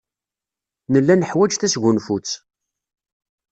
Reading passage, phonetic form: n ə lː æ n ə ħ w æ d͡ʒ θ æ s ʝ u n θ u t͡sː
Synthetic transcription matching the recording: n ə lː æ n ə ħ w æ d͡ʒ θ æ s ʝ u n f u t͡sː